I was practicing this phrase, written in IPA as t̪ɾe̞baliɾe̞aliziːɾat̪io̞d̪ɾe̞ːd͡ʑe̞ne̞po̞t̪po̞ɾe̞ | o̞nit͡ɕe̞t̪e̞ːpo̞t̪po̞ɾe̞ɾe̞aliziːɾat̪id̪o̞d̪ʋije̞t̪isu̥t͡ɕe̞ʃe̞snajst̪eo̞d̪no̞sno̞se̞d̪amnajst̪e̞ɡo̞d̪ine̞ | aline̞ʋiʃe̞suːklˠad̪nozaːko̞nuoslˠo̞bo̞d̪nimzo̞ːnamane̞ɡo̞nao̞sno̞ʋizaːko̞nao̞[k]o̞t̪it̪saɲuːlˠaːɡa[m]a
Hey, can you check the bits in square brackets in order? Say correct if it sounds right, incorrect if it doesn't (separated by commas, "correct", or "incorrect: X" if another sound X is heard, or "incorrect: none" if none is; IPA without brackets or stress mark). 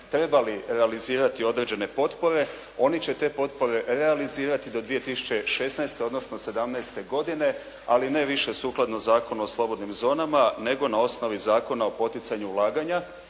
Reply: incorrect: p, incorrect: ɲ